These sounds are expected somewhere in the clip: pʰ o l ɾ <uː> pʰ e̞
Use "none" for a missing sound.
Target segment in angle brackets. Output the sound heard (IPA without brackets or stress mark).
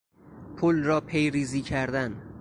ɒː